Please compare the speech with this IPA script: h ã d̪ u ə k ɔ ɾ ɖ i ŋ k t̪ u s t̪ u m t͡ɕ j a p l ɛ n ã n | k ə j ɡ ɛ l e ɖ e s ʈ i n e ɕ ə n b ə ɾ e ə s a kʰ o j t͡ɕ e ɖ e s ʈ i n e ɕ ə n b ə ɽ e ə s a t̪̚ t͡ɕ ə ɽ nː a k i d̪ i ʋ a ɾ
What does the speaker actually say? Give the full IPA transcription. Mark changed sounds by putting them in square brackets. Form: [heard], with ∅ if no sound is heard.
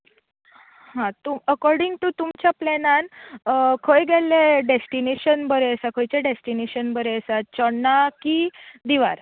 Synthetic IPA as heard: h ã [t̪] u ə k ɔ ɾ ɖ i ŋ [ɡ] t̪ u [∅] t̪ u m t͡ɕ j a p l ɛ n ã n | [kʰ] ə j ɡ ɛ l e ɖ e s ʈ i n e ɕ ə n b ə ɾ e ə s a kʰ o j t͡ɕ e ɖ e s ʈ i n e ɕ ə n b ə [ɾ] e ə s a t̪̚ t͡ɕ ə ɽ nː a k i d̪ i ʋ a ɾ